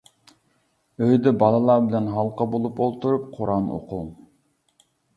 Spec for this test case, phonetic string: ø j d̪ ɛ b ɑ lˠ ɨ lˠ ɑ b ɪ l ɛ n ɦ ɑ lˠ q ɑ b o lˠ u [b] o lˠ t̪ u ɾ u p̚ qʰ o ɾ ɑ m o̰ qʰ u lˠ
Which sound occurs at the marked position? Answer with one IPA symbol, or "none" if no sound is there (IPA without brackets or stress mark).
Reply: p